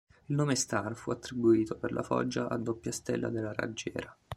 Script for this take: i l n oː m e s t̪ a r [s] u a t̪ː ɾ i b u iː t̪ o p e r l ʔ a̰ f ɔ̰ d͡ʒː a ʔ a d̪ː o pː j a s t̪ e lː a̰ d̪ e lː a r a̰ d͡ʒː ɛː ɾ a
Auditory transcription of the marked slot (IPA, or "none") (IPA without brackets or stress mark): f